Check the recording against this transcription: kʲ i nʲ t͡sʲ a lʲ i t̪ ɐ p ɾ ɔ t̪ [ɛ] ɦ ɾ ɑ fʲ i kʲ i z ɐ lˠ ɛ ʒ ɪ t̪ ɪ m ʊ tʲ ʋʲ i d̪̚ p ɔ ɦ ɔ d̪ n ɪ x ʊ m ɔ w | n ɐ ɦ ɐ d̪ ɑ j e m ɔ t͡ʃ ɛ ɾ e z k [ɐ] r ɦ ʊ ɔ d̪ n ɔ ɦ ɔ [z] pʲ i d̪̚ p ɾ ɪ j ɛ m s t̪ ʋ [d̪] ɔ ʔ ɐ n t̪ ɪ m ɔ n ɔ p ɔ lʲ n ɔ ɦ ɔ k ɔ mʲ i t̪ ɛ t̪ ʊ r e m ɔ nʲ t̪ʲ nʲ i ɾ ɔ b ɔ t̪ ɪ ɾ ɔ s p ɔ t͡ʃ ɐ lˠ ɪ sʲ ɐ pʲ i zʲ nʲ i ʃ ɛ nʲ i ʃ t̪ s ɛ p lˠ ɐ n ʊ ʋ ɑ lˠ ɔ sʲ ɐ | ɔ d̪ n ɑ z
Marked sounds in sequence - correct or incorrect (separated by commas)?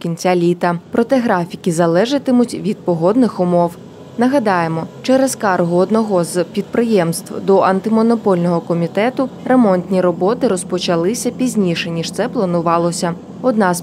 correct, incorrect, correct, correct